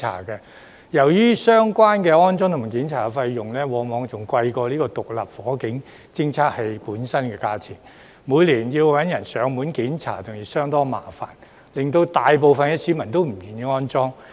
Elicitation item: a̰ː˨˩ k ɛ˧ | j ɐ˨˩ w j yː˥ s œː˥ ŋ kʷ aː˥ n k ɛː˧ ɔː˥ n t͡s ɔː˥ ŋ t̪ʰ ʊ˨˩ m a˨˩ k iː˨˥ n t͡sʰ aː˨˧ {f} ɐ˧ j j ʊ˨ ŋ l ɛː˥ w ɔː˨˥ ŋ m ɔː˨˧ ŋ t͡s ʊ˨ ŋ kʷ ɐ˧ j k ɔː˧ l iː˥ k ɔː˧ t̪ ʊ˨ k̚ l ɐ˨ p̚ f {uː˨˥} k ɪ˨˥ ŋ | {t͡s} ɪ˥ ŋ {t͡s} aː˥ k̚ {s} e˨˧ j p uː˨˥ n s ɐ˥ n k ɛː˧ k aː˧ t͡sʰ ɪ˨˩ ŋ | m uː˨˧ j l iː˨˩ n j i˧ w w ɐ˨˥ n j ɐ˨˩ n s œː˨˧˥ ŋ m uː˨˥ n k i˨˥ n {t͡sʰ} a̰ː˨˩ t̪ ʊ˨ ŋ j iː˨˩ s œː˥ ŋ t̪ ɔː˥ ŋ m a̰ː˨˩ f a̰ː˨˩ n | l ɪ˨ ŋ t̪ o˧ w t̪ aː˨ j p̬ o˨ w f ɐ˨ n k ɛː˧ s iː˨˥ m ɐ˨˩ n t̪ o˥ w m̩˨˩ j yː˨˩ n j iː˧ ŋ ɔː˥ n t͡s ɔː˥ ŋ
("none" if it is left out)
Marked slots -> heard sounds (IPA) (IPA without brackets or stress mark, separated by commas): f, ɔː˨˥, t͡s, t͡sʰ, h, t͡sʰ